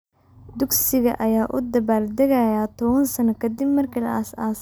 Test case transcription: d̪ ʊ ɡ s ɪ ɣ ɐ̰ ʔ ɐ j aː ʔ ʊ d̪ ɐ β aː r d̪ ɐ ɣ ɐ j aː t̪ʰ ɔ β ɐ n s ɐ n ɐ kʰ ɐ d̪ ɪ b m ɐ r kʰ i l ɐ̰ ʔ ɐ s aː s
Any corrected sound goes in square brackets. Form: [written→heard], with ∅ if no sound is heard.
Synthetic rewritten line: d̪ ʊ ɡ s ɪ ɣ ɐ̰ ʔ ɐ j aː ʔ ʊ d̪ ɐ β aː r d̪ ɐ ɣ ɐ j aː t̪ʰ ɔ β ɐ n s ɐ n ɐ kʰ ɐ d̪ ɪ b m ɐ r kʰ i l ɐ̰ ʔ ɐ s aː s